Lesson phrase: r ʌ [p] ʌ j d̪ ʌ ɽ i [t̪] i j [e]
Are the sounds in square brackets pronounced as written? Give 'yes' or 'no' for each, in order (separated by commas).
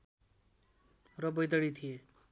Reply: no, no, yes